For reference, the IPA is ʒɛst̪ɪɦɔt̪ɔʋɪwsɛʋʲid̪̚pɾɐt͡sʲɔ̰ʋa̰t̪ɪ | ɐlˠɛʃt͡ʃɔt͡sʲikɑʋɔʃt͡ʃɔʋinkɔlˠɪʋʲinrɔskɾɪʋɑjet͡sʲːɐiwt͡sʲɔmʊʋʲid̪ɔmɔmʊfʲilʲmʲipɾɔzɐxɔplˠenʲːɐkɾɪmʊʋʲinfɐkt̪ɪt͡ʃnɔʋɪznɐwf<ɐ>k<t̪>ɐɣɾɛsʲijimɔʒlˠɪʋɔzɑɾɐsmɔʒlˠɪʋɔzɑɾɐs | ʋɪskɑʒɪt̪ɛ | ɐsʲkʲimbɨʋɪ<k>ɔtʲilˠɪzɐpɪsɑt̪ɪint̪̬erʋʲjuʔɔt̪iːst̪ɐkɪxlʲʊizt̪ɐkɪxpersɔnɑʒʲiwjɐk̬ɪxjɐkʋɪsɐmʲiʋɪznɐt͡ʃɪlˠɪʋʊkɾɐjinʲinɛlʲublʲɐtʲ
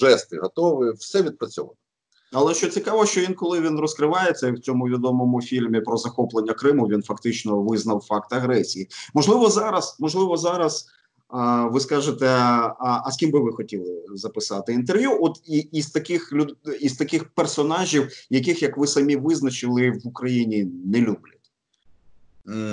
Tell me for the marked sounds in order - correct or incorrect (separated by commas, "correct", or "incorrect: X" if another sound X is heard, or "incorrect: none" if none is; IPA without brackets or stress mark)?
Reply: incorrect: ɑ, correct, incorrect: x